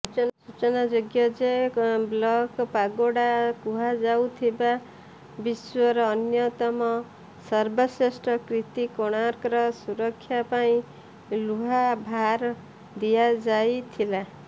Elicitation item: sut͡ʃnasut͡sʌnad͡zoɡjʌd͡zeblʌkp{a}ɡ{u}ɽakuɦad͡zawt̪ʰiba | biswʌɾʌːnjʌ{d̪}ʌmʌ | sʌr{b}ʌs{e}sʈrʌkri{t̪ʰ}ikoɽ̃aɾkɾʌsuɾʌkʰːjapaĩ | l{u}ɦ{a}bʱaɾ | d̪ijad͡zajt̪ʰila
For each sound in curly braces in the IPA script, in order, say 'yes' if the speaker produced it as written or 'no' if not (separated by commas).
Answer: yes, no, no, yes, yes, no, yes, yes